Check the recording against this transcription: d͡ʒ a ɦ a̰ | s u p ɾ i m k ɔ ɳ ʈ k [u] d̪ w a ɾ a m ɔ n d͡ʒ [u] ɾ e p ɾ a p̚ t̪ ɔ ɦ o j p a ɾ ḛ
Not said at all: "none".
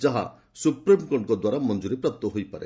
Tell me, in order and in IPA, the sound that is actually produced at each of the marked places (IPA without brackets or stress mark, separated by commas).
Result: ɔ, u